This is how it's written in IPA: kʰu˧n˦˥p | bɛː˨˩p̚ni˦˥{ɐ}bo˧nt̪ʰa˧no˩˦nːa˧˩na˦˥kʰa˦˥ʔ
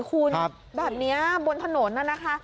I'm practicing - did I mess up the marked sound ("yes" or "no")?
no